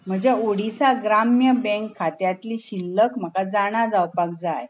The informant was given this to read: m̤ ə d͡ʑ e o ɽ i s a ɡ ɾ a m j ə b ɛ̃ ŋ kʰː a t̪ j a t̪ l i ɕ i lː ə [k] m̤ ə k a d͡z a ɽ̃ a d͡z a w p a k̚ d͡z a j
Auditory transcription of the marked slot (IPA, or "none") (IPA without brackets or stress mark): k